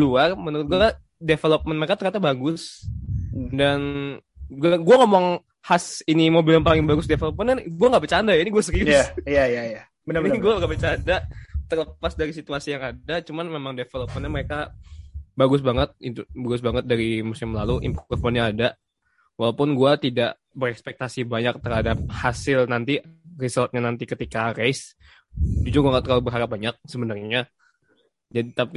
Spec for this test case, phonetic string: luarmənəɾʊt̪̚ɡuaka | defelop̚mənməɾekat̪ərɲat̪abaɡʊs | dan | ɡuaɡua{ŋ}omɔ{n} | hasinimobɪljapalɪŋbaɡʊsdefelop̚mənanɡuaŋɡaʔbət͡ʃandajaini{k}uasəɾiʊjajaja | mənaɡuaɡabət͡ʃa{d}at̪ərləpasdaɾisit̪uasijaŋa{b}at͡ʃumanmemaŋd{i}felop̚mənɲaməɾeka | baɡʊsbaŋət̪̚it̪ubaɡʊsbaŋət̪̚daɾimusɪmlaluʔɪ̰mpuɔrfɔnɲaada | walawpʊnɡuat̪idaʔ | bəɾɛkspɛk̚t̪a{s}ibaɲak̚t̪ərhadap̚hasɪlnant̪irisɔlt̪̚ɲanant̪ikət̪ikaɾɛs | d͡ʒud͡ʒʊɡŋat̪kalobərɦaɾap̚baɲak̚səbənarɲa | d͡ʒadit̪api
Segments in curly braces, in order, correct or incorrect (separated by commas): correct, incorrect, incorrect, correct, incorrect, incorrect, correct